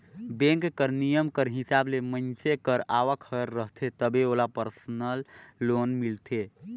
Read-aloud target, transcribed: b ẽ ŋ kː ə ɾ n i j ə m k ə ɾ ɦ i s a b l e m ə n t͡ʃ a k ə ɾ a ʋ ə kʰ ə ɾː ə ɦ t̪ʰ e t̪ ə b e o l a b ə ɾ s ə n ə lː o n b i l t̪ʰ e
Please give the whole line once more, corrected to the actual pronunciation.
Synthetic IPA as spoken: b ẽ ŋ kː ə ɾ n i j ə m k ə ɾ ɦ i s a b l e m ə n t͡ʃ e k ə ɾ a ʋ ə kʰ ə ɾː ə ɦ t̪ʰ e t̪ ə b e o l a p ə ɾ s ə n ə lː o n m i l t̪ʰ e